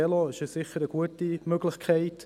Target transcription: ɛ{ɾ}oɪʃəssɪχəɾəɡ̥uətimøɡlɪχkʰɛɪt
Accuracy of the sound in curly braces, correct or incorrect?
incorrect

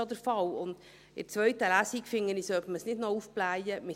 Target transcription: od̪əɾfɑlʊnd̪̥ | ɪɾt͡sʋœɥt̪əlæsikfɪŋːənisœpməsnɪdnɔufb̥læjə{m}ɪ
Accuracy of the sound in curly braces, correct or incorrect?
correct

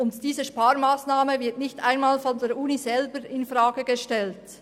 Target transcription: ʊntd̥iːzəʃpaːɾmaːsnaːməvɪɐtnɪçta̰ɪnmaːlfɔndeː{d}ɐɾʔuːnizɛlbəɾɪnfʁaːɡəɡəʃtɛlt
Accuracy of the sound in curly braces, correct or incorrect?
incorrect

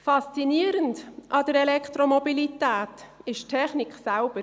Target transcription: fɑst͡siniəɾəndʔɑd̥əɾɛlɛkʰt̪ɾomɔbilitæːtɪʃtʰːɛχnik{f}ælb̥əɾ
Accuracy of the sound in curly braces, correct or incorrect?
incorrect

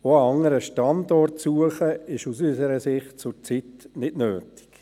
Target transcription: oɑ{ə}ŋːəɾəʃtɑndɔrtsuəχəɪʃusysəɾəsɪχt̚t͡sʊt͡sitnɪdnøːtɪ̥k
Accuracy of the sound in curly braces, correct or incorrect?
incorrect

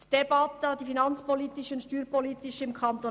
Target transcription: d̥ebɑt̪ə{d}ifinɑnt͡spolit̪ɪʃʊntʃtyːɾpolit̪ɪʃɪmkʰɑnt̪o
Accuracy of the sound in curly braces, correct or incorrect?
correct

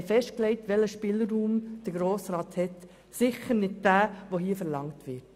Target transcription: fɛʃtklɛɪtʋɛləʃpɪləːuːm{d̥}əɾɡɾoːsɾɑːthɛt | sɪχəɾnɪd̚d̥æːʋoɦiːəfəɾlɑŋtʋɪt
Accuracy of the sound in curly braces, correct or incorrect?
correct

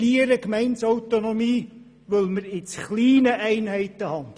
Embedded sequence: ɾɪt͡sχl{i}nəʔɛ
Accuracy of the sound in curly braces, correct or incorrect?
incorrect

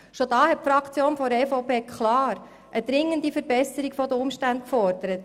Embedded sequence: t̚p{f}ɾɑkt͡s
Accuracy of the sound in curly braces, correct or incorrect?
correct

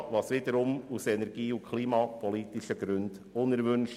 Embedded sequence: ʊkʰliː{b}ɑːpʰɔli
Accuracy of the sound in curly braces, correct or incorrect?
incorrect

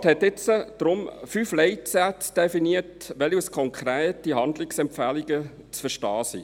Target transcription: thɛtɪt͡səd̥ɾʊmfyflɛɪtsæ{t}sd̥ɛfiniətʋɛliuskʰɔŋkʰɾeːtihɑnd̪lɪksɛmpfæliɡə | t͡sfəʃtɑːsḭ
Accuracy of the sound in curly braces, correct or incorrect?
correct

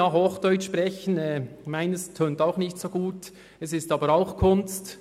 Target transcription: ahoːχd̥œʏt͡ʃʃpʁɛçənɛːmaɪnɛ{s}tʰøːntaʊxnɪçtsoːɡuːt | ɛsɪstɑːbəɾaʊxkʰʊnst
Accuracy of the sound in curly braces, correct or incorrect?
correct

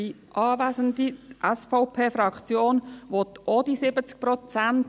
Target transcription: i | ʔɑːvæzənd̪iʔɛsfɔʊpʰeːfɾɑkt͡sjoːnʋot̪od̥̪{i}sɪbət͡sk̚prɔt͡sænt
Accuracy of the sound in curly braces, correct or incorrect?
correct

